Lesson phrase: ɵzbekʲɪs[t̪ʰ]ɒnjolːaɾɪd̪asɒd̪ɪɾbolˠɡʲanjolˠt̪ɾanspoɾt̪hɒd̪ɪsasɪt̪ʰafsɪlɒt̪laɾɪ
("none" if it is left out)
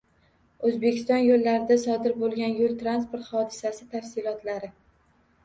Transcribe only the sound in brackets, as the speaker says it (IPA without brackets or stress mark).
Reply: t̪